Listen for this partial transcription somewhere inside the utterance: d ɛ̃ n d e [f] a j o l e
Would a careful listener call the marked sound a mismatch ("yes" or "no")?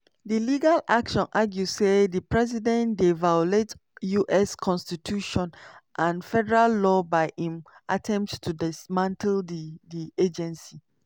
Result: yes